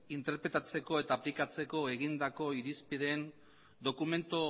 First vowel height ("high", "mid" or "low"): high